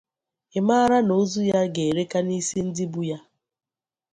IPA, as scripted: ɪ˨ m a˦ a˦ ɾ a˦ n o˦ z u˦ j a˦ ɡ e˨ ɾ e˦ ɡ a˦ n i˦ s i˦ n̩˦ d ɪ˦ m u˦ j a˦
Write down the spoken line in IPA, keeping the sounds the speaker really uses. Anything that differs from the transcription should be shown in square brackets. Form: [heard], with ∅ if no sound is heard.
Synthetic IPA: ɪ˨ m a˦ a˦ ɾ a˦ n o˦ z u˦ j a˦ ɡ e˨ ɾ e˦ [k] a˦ n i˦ s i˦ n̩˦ d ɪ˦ [b] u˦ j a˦

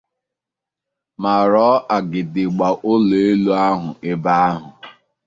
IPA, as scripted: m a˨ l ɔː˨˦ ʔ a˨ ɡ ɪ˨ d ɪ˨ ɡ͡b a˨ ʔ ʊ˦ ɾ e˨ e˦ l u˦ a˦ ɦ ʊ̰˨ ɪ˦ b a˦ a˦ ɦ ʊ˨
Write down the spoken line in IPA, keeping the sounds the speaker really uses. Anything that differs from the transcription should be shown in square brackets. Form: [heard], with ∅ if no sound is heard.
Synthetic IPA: m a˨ [ɾ] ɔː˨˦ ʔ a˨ ɡ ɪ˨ d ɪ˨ ɡ͡b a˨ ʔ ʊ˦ [l] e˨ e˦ l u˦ a˦ ɦ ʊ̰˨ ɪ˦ b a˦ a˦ ɦ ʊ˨

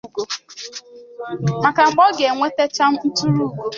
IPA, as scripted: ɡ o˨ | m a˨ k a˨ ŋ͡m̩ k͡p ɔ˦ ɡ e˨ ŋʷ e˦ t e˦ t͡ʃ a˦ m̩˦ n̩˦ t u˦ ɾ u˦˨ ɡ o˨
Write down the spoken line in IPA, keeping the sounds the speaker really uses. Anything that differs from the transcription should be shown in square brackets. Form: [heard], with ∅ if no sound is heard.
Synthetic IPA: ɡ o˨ | m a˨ k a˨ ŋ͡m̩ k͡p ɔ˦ ɡ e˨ ŋʷ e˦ t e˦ t͡ʃ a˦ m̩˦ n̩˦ t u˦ ɾ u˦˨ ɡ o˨

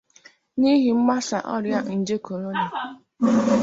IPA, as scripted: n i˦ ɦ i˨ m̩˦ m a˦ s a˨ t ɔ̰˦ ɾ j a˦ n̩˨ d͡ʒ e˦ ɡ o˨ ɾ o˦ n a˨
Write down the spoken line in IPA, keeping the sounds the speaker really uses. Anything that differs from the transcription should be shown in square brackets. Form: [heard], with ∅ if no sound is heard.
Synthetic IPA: n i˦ ɦ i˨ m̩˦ m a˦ s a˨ [ʔ] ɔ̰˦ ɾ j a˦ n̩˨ d͡ʒ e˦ [k] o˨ ɾ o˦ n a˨

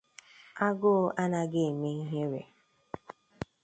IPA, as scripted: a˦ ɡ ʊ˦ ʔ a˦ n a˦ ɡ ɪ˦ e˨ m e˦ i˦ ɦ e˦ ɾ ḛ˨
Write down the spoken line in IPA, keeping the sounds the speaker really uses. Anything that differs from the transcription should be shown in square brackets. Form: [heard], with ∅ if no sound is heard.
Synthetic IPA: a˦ ɡ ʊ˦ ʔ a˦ n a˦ ɡ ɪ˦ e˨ m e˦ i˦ ɦ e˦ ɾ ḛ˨

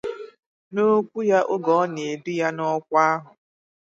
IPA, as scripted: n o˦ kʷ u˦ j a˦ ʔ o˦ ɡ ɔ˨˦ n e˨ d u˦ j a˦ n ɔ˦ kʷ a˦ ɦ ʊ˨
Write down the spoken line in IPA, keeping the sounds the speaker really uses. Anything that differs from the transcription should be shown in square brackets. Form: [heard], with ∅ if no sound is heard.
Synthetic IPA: n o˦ kʷ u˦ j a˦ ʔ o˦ ɡ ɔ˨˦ n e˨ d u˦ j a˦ n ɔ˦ kʷ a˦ ɦ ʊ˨

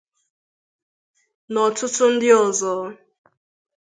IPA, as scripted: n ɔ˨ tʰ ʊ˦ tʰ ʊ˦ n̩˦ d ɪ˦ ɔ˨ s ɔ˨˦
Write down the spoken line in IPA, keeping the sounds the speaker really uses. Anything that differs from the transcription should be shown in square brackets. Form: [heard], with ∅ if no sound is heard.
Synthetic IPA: n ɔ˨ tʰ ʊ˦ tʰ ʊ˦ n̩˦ d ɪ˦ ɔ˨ [z] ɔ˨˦

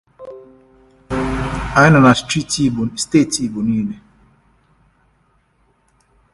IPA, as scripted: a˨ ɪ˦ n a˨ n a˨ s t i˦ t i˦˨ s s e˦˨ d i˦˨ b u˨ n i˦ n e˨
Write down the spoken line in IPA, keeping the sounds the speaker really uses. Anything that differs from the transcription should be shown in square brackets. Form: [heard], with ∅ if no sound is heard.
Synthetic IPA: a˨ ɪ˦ n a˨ n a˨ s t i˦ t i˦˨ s [t] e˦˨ [t] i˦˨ b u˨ n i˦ n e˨

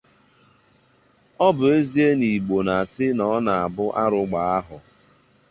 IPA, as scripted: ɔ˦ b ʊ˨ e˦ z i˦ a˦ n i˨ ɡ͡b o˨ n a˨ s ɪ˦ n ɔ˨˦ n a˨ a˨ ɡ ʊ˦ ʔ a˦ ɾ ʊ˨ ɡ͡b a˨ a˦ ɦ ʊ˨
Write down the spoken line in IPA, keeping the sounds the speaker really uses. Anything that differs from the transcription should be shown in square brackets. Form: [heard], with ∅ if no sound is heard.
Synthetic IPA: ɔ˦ b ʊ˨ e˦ z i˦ [e˦] n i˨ ɡ͡b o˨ n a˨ s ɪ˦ n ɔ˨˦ n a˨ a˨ [b] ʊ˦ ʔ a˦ ɾ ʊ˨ ɡ͡b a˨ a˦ ɦ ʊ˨

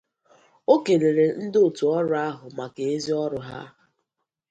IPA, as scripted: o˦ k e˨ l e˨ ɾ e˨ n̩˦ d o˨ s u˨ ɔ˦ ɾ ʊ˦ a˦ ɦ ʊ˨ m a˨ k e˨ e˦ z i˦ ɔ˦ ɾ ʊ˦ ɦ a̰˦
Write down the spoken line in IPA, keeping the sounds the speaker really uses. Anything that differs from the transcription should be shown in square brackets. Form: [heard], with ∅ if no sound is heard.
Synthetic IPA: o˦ k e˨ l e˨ ɾ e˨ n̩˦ d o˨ [t] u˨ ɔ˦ ɾ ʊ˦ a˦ ɦ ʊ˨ m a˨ k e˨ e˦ z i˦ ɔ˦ ɾ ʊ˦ ɦ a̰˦

